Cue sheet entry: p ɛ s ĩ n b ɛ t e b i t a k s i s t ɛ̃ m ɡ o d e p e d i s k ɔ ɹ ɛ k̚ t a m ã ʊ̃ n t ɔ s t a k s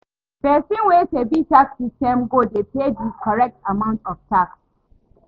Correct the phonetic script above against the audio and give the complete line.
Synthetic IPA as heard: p ɛ s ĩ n w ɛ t e b i t a k s i s t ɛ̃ m ɡ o d e p e d i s k ɔ ɹ ɛ k̚ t a m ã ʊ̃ n t ɔ f t a k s